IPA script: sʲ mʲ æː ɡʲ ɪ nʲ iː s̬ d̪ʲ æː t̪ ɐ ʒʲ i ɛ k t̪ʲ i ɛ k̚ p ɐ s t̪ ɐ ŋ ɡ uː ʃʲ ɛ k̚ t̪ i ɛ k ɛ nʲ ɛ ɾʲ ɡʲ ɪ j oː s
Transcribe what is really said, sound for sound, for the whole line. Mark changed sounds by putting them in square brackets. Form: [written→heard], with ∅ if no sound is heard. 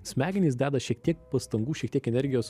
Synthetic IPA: sʲ mʲ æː ɡʲ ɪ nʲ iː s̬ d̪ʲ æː [t̪→d̪] ɐ [ʒʲ→ʃʲ] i ɛ k t̪ʲ i ɛ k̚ p ɐ s t̪ ɐ ŋ ɡ uː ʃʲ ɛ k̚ t̪ i ɛ k ɛ nʲ ɛ ɾʲ ɡʲ ɪ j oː s